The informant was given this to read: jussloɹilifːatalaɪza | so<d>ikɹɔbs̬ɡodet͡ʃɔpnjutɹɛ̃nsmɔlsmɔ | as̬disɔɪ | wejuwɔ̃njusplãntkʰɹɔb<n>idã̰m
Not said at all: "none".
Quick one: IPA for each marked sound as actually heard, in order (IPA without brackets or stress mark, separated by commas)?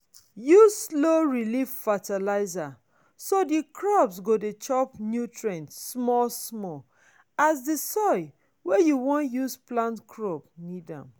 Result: d, n